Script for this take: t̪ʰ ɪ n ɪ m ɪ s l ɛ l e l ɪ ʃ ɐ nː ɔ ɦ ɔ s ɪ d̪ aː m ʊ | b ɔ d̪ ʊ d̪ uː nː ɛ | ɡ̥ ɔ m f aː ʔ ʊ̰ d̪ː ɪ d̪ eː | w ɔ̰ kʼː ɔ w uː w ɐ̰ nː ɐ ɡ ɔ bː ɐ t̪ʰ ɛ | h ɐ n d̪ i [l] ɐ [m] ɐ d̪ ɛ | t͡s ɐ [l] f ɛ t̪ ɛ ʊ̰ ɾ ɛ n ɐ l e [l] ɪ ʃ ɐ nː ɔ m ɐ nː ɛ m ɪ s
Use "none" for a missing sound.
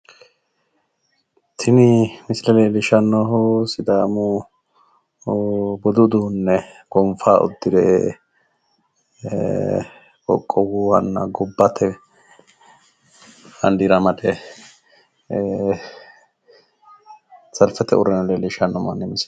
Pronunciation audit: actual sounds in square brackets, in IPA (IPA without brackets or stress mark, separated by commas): ɾ, m, l, l